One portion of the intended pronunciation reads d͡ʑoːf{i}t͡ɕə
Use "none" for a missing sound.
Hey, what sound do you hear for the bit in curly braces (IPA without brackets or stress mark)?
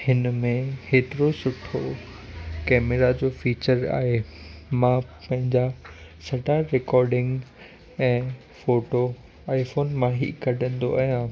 iː